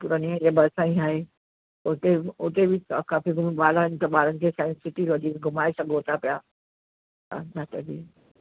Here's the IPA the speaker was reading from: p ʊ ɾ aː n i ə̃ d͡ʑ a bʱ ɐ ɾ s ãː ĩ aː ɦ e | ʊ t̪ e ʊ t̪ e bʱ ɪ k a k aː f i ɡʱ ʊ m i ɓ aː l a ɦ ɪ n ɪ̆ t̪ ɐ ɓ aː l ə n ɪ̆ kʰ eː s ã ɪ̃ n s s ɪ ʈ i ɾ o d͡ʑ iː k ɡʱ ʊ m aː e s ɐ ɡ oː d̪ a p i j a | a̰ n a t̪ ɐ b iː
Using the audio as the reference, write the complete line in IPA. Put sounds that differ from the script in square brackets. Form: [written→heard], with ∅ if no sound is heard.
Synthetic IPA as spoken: p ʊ ɾ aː n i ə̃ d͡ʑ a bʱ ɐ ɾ s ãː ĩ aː ɦ e | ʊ t̪ e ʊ t̪ e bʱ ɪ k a k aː f i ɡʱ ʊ m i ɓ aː l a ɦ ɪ n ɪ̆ t̪ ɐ ɓ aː l ə n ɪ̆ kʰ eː s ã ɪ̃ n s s ɪ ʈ i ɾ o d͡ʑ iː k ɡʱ ʊ m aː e s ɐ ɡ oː [d̪→t̪] a p i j a | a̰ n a t̪ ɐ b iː